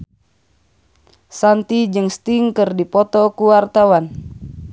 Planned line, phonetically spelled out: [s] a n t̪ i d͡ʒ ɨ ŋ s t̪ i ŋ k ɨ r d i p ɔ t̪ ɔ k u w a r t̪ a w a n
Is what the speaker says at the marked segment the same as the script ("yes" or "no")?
yes